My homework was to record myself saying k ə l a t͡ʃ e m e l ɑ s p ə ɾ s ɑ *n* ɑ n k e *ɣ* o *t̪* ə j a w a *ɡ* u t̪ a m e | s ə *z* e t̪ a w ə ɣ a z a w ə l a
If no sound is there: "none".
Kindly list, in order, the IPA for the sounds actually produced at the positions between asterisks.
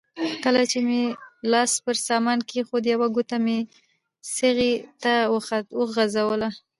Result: m, x, d̪, ɡ, ɣ

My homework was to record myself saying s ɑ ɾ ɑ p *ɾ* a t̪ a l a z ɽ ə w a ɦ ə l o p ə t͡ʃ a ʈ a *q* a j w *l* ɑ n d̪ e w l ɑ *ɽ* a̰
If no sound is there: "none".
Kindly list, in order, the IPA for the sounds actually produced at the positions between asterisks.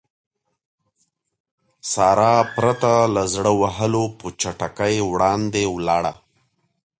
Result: ɾ, k, ɽ, ɽ

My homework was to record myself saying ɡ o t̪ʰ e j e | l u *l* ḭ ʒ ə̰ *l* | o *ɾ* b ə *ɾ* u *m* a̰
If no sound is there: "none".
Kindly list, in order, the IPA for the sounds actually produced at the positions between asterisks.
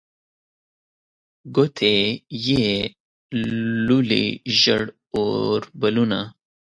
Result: l, ɽ, ɾ, l, n

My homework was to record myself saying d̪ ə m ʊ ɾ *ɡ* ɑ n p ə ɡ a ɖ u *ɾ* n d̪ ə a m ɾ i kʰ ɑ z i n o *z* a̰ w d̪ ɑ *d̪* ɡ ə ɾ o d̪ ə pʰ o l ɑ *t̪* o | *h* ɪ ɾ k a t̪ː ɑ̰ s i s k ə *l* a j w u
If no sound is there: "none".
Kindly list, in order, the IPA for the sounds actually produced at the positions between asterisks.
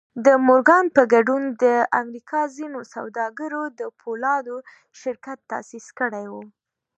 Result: ɡ, none, s, none, d̪, ʃ, ɽ

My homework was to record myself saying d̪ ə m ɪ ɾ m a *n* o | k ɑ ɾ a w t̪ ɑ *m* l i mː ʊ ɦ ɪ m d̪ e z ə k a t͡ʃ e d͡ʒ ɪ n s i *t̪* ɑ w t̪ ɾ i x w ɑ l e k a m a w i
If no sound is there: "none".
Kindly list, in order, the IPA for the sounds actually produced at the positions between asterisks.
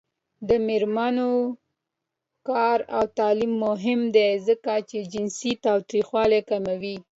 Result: n, none, t̪

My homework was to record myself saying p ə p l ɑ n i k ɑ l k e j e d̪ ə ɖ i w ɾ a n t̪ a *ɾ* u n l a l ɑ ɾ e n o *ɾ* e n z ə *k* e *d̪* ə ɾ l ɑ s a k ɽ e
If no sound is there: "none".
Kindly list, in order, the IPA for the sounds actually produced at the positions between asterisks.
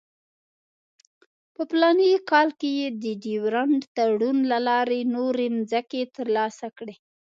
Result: ɽ, ɾ, k, t̪

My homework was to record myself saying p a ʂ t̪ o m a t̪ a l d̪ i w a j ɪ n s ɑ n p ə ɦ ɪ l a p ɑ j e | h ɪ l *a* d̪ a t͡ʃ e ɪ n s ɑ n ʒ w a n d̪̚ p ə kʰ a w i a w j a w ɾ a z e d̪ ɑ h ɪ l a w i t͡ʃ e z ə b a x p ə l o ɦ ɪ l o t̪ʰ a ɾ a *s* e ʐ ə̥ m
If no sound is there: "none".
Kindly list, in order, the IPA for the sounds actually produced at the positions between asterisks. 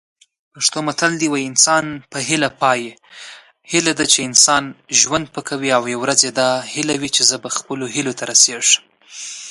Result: a, s

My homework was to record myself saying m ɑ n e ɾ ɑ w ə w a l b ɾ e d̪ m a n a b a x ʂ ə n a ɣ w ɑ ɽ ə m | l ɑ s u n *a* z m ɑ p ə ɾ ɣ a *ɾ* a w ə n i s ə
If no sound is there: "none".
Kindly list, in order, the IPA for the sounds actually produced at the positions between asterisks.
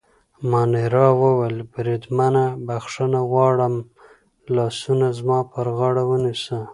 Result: a, ɽ

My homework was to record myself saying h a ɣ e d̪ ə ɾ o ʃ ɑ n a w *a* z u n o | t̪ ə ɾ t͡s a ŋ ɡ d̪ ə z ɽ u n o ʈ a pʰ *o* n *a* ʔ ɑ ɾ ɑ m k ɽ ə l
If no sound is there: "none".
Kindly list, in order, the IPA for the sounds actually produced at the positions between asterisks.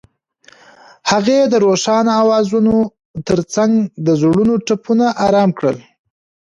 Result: ɑ, u, a

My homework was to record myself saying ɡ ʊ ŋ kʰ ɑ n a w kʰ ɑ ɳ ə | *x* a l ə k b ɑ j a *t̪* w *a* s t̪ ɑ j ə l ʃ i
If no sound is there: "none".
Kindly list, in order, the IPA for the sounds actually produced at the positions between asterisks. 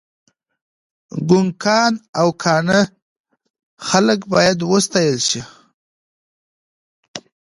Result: x, d̪, ə

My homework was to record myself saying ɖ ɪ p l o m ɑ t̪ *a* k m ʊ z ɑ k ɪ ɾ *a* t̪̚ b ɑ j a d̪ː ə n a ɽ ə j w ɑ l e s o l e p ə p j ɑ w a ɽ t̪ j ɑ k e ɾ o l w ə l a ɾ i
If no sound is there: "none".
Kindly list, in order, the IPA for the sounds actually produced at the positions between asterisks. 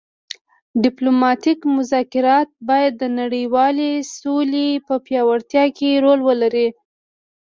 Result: i, ɑ

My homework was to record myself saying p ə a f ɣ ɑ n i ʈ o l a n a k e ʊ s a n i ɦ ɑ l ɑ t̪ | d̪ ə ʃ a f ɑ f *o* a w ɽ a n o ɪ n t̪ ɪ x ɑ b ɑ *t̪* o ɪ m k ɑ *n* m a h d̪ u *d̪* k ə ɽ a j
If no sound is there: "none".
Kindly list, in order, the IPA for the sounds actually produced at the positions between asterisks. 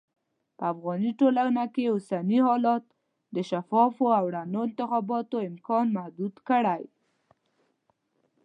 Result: o, t̪, n, d̪

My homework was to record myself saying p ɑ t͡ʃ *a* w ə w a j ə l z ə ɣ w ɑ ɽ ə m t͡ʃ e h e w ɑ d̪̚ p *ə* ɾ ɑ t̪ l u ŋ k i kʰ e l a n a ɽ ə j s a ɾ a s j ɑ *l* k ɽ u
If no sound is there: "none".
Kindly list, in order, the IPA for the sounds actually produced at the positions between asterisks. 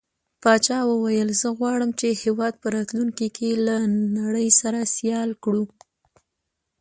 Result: ɑ, ə, l

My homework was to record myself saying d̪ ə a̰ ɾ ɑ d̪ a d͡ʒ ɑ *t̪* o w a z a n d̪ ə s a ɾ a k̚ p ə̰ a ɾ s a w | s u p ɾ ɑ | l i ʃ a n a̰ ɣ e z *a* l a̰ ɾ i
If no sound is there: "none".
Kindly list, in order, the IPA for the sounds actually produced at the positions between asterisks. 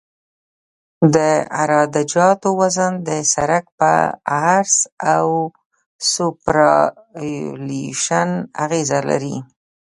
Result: t̪, a

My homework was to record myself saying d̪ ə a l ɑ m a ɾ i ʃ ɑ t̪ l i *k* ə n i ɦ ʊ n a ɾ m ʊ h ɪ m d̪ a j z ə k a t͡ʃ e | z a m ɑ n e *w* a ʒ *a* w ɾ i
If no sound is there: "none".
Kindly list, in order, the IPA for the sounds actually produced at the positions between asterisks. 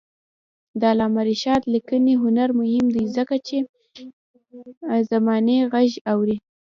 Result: k, ɣ, a

